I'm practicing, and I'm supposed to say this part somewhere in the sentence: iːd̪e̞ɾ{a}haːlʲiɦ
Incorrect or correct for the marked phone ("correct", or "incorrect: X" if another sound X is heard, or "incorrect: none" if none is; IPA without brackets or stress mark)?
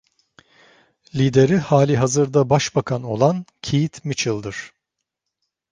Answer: incorrect: i